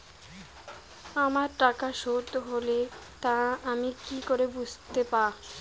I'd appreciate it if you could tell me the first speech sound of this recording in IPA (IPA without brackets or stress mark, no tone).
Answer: a